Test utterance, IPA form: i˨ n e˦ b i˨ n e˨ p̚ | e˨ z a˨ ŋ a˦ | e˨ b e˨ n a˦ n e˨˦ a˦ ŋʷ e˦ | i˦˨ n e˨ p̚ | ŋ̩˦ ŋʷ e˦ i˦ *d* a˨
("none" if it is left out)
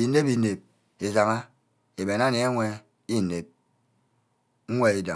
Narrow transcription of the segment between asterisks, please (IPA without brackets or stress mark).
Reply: d